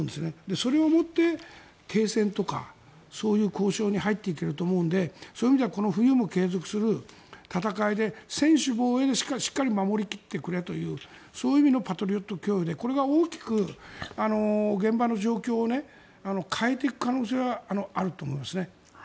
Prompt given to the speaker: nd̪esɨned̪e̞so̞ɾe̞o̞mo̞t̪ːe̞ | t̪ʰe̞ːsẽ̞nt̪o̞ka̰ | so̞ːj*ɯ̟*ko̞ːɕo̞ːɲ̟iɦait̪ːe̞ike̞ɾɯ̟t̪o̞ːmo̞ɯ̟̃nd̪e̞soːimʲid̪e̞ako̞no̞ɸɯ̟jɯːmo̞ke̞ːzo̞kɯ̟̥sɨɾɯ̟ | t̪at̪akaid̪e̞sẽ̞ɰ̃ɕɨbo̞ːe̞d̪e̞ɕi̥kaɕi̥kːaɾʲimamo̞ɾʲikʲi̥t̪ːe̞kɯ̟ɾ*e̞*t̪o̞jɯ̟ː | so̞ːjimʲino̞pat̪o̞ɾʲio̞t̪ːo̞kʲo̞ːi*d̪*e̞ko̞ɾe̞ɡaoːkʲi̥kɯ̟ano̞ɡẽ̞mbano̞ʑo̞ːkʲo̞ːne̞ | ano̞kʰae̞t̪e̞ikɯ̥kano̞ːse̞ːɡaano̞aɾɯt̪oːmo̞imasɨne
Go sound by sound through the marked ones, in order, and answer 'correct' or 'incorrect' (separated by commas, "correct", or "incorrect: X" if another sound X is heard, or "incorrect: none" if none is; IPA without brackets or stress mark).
incorrect: ɯ̟ː, correct, correct